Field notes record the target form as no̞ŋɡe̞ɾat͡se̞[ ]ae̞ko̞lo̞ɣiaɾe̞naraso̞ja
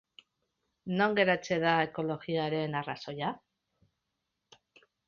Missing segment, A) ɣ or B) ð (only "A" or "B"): B